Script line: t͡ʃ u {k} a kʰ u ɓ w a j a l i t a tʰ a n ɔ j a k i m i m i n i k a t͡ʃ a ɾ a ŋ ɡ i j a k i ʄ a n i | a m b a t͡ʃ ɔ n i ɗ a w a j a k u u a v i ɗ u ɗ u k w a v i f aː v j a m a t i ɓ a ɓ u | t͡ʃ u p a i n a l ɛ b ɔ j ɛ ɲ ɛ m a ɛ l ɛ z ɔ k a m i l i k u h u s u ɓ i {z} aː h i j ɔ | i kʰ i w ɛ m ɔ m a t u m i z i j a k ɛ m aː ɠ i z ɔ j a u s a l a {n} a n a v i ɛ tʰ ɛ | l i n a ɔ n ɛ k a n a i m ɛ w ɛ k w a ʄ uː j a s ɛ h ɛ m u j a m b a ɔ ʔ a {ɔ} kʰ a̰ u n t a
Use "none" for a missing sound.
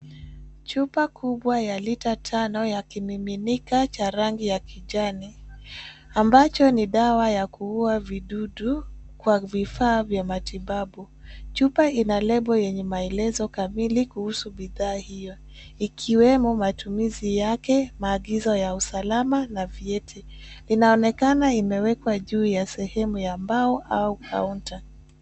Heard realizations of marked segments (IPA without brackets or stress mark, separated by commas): p, ð, m, u